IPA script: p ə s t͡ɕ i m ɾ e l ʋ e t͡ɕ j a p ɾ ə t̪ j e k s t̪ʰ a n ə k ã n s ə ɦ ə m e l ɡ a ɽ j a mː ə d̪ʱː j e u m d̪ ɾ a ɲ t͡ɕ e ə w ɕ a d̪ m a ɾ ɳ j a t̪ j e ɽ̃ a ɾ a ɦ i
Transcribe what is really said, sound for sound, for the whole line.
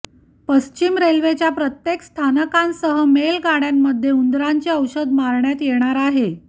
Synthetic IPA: p ə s t͡ɕ i m ɾ e l ʋ e t͡ɕ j a p ɾ ə t̪ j e k s t̪ʰ a n ə k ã n s ə ɦ ə m e l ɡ a ɽ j a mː ə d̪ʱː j e u n d̪ ɾ a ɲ t͡ɕ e ə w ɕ ə d̪ m a ɾ ɳ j a t̪ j e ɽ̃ a ɾ a ɦ e